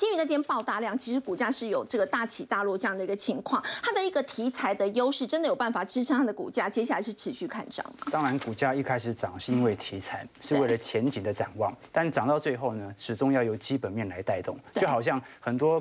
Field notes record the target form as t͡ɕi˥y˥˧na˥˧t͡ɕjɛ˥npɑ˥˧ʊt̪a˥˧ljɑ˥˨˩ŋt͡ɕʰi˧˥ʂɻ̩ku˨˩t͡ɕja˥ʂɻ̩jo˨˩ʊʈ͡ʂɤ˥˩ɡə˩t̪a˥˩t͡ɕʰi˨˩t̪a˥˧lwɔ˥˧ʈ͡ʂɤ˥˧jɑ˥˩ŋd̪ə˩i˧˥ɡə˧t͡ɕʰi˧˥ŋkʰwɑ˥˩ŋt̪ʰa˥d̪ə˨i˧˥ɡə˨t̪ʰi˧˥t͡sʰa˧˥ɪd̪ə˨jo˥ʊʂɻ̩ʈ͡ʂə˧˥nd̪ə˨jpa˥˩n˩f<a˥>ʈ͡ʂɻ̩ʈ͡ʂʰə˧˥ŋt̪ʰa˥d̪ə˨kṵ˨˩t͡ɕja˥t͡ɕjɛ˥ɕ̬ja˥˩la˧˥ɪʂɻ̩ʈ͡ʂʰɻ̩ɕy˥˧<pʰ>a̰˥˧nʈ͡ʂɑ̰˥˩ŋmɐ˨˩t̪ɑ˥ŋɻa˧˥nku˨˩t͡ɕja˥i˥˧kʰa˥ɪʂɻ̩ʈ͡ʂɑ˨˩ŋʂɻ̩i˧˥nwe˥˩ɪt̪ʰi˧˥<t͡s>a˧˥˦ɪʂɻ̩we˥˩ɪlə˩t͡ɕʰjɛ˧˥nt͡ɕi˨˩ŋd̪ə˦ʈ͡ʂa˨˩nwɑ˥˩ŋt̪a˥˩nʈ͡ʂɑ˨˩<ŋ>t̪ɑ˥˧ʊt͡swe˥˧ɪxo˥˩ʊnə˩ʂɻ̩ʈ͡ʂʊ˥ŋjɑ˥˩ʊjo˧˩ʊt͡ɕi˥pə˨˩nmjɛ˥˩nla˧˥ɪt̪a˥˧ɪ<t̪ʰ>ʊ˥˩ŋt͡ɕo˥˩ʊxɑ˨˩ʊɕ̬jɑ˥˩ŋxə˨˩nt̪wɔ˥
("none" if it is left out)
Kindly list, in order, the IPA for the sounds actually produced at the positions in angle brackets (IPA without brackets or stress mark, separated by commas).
a˨˩, kʰ, t͡sʰ, ŋ, t̪